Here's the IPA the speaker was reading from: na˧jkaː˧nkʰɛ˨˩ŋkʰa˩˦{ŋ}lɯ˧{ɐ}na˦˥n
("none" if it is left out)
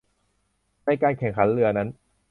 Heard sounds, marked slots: n, ɐ

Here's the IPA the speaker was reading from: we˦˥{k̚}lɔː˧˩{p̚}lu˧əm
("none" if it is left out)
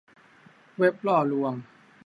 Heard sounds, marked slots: p̚, none

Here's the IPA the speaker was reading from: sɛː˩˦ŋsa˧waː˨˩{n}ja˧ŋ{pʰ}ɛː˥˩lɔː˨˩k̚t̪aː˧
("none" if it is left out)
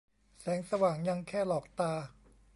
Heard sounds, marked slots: ŋ, kʰ

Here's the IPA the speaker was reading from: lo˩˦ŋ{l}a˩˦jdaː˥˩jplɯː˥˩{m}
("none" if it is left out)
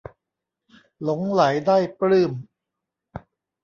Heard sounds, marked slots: l, m

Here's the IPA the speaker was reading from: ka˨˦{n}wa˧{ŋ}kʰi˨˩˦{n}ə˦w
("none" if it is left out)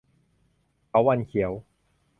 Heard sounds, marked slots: none, n, none

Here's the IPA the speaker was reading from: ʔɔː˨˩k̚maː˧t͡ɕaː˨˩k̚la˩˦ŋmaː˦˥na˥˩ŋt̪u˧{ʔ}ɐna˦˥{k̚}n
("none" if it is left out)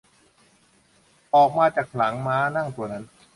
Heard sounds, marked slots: none, none

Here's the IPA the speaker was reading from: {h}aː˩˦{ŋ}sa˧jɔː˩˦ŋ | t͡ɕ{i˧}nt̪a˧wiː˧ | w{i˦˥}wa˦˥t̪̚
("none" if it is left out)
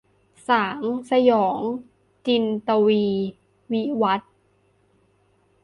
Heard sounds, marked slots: s, ŋ, i˧, i˦˥

